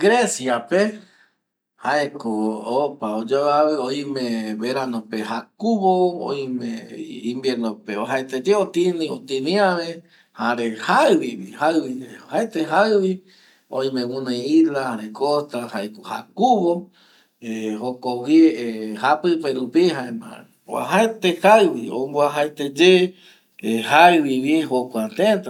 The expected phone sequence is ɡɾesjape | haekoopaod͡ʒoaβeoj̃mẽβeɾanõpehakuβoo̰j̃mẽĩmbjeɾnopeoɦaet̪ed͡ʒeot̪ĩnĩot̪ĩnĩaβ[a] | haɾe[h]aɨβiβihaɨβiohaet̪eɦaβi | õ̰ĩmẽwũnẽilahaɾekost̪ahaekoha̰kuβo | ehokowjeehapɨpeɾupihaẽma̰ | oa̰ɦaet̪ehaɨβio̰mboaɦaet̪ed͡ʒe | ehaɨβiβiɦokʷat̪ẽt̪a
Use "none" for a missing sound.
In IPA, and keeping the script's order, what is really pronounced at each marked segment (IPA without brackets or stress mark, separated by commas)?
e, h